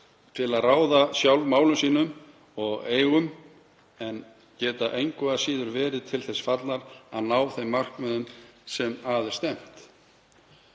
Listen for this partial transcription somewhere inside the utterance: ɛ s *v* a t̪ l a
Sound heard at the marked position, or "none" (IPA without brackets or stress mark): f